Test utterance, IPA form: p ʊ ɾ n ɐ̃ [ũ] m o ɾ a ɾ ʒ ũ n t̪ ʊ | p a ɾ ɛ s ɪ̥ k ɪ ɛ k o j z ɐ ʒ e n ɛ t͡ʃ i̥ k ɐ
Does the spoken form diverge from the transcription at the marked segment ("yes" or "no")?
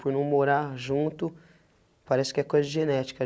yes